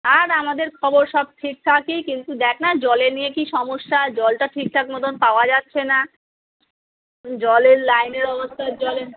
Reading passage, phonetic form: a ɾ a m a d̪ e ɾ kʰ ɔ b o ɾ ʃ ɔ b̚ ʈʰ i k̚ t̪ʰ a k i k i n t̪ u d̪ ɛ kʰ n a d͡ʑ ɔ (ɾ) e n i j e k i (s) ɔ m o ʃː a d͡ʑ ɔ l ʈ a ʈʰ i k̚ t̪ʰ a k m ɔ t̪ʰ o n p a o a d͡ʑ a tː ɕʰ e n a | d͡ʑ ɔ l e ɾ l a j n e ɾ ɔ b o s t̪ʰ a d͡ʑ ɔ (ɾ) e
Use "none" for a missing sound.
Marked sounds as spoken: l, ʃ, l

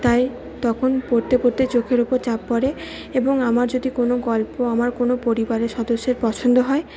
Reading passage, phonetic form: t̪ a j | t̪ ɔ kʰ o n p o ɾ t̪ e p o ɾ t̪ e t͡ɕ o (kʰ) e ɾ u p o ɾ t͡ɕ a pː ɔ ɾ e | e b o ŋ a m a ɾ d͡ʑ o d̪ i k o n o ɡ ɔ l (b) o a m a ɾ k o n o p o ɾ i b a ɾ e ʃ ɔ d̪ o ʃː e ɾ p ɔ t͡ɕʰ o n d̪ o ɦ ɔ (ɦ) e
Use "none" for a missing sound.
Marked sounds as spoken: kʰ, p, none

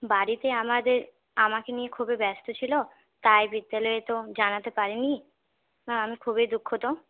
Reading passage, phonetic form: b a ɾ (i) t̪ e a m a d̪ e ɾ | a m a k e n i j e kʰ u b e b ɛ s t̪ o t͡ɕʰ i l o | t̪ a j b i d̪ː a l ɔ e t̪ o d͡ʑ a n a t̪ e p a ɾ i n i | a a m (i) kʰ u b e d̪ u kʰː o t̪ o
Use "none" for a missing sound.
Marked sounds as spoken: i, i

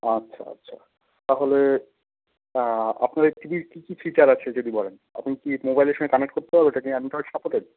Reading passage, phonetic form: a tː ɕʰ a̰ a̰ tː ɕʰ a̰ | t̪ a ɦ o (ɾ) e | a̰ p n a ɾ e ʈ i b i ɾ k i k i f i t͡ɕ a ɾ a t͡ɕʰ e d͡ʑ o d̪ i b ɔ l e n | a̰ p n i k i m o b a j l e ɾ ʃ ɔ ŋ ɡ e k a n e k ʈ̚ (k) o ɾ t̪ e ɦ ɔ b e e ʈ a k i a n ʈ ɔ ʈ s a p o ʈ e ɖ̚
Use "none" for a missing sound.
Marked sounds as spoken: l, k

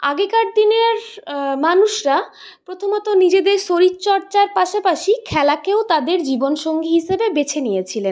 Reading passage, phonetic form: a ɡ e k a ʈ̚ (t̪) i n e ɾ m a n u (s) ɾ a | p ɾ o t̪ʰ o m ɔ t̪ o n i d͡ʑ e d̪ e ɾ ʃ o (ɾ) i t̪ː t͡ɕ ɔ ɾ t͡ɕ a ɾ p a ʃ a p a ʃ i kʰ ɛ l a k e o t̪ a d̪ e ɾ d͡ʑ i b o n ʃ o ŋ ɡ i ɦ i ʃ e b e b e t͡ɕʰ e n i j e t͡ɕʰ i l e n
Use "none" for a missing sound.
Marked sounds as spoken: d̪, ʃ, ɾ

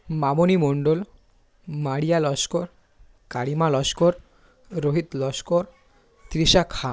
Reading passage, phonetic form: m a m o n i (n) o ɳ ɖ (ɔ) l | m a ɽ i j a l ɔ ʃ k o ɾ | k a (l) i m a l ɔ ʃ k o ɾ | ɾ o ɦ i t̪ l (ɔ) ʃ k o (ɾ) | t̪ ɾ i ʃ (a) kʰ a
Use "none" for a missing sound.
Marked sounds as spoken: m, o, ɽ, ɔ, ɾ, a

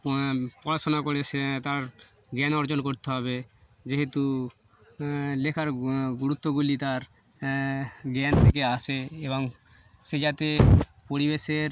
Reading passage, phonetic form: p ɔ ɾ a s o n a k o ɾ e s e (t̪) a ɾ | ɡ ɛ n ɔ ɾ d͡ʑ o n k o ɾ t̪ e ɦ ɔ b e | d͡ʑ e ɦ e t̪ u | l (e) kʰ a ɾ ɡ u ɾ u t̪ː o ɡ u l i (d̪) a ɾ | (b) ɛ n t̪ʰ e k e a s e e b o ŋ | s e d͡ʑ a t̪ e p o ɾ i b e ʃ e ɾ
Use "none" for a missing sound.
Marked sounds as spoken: t̪, e, t̪, ɡ

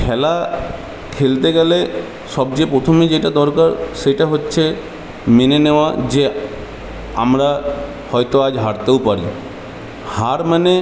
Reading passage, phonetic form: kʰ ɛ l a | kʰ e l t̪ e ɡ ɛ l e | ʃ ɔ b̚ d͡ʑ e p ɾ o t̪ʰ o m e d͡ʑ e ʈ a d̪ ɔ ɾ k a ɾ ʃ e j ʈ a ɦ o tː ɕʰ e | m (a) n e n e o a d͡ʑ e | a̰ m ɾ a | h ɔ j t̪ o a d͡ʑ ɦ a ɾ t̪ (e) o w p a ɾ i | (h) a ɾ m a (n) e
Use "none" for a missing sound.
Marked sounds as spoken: e, e, h, n

